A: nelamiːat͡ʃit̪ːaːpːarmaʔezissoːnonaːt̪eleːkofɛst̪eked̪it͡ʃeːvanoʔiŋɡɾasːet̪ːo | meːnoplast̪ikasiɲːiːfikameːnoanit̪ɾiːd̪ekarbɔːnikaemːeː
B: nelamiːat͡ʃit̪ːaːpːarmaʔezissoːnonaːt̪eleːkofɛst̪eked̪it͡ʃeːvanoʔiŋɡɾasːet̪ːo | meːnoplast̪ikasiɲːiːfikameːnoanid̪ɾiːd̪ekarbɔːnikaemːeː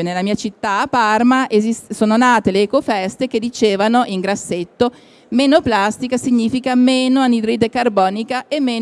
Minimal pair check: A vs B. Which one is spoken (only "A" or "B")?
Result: B